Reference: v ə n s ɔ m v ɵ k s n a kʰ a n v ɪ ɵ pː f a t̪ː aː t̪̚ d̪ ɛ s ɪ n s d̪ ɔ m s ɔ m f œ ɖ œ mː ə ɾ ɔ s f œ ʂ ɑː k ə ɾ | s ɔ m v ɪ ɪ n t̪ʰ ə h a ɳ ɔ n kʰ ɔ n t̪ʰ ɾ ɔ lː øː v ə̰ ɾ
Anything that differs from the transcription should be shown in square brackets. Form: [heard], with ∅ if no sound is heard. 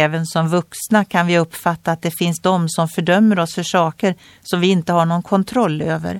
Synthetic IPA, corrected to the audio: v ə n s ɔ m v ɵ k s n a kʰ a n v ɪ ɵ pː f a t̪ː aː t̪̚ d̪ ɛ [f] ɪ n s d̪ ɔ m s ɔ m f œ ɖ œ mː ə ɾ ɔ s f œ ʂ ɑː k ə ɾ | s ɔ m v ɪ ɪ n [t̪] ə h a ɳ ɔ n kʰ ɔ n t̪ʰ ɾ ɔ lː øː v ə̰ ɾ